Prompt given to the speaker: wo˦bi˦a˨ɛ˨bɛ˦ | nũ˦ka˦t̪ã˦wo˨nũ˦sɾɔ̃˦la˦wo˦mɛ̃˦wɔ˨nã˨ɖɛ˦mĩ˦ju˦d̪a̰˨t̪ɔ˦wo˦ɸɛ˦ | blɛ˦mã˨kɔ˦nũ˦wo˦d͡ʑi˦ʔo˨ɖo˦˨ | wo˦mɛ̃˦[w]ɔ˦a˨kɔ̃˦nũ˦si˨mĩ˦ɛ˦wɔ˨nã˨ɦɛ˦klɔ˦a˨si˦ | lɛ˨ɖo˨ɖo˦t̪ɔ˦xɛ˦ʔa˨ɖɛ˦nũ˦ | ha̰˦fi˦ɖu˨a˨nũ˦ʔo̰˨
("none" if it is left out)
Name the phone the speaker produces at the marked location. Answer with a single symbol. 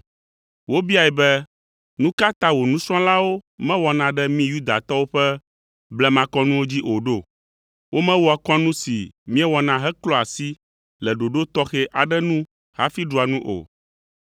w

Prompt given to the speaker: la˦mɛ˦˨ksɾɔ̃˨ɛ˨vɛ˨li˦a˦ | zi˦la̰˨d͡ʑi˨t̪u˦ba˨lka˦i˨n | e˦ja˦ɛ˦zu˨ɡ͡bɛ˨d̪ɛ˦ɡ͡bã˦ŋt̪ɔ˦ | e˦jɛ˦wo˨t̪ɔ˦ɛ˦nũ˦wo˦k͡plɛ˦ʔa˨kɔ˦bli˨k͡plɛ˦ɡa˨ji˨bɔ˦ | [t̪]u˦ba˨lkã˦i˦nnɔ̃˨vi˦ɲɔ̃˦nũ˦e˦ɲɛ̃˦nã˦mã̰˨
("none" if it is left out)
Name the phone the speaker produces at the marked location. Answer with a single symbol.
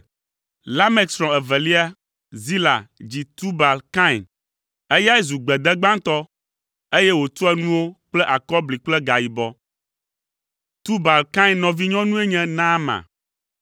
t̪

